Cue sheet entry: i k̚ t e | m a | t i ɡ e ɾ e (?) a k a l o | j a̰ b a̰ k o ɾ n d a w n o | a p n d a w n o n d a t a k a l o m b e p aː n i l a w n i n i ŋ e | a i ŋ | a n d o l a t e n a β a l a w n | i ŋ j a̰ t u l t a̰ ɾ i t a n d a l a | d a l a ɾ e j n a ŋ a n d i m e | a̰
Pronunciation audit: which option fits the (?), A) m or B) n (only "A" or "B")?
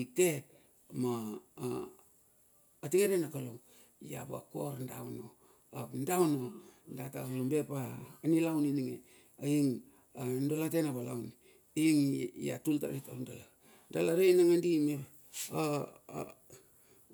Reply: B